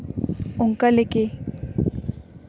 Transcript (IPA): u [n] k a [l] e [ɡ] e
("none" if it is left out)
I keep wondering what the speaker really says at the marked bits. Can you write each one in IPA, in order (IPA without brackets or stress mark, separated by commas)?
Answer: ŋ, l, k